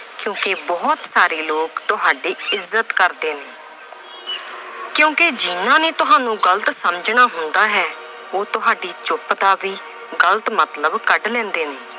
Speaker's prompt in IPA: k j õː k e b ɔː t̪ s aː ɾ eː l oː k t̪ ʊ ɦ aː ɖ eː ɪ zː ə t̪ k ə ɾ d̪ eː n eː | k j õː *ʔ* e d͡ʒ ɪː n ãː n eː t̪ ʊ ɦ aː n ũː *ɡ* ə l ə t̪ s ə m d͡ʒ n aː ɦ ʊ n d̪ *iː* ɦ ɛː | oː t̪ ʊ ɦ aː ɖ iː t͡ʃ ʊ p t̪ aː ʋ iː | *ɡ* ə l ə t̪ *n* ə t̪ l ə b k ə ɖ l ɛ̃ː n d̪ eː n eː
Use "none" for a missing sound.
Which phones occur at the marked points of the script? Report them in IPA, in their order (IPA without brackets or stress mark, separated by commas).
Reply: k, ɡ, aː, ɡ, m